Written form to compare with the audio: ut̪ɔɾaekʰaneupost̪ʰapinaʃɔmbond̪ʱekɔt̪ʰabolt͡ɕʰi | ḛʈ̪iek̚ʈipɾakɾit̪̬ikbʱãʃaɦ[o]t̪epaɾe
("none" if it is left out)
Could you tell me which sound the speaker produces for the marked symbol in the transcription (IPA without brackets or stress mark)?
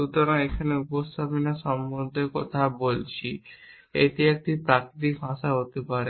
o